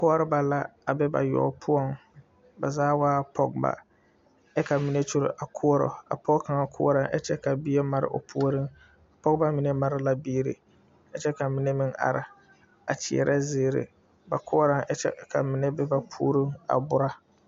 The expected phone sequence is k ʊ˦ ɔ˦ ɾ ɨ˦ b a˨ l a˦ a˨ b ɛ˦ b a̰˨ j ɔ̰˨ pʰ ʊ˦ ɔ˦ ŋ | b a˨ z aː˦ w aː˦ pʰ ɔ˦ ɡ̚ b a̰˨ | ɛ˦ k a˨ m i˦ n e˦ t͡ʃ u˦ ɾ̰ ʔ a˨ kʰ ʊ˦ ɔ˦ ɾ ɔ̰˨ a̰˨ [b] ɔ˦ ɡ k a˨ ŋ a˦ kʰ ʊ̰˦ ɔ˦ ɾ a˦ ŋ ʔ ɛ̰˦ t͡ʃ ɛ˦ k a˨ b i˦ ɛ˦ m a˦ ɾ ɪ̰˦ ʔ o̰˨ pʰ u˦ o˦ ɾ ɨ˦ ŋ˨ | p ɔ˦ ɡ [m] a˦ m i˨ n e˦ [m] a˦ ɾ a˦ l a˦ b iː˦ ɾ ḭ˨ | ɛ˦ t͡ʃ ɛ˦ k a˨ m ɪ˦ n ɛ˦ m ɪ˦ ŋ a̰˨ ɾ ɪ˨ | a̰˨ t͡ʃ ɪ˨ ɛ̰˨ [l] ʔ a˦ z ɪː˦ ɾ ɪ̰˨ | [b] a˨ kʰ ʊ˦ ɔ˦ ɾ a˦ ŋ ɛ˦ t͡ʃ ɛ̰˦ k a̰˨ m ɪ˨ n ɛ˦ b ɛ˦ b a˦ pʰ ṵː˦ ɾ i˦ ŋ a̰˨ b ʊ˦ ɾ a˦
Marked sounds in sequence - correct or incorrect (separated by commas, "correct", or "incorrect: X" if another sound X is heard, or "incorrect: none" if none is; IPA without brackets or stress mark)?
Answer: incorrect: p, incorrect: b, correct, incorrect: ɾ, correct